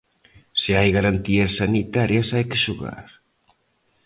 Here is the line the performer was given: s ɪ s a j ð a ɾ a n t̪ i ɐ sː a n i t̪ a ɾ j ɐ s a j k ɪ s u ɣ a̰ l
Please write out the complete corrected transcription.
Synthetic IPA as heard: s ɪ a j ɣ a ɾ a n t̪ i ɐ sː a n i t̪ a ɾ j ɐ s a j k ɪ ʃ u ɣ a̰ ɾ